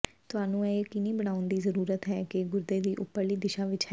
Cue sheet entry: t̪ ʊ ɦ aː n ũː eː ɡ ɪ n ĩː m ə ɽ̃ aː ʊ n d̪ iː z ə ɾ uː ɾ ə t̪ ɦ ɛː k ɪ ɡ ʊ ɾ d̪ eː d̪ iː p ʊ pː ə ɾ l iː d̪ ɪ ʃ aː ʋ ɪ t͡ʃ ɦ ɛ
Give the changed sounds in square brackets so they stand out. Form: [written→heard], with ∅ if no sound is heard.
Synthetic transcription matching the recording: t̪ ʊ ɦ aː n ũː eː [ɡ→k] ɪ n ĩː [m→b] ə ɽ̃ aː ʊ n d̪ iː z ə ɾ uː ɾ ə t̪ ɦ ɛː k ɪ ɡ ʊ ɾ d̪ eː d̪ iː [p→ʔ] ʊ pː ə ɾ l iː d̪ ɪ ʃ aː ʋ ɪ t͡ʃ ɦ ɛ

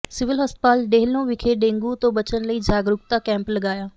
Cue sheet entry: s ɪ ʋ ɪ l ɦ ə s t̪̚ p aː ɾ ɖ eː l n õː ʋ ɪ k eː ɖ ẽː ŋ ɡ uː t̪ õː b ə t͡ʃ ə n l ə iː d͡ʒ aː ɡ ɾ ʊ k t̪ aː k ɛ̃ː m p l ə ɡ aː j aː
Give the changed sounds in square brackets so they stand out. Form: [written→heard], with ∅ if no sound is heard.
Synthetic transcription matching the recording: s ɪ ʋ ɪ l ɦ ə s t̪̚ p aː [ɾ→l] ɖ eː l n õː ʋ ɪ [k→kʰ] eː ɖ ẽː ŋ ɡ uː t̪ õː b ə t͡ʃ ə n l ə iː d͡ʒ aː ɡ ɾ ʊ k t̪ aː k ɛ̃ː m p l ə ɡ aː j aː

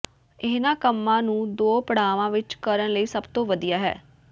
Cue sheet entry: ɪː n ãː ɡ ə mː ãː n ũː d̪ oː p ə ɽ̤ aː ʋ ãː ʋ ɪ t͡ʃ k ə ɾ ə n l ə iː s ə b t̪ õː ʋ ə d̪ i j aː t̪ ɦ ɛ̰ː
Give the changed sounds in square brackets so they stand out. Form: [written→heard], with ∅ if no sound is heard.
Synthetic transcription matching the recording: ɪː n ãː [ɡ→k] ə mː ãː n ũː d̪ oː p ə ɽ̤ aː ʋ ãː ʋ ɪ t͡ʃ k ə ɾ ə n l ə iː s ə b t̪ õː ʋ ə d̪ i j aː [t̪→∅] ɦ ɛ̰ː

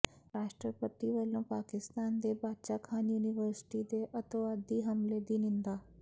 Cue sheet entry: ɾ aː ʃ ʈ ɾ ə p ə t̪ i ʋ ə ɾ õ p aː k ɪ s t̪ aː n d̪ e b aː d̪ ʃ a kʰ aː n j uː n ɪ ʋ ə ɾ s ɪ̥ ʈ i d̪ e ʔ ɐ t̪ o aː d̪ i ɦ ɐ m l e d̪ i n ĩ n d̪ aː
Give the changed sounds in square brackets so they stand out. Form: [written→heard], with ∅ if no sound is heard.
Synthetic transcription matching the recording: ɾ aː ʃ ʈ ɾ ə p ə t̪ i ʋ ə [ɾ→l] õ p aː k ɪ s t̪ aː n d̪ e b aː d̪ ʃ a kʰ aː n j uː n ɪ ʋ ə ɾ s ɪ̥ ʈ i d̪ e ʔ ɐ t̪ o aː d̪ i ɦ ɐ m l e d̪ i n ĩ n d̪ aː

